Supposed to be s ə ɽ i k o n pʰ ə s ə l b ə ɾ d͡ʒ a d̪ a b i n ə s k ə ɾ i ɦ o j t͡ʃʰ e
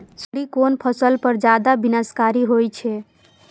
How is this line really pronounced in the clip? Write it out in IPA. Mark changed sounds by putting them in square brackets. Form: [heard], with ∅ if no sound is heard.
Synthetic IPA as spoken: s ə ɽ i k o n pʰ ə s ə l [p] ə ɾ d͡ʒ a d̪ a b i n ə s k [a] ɾ i ɦ o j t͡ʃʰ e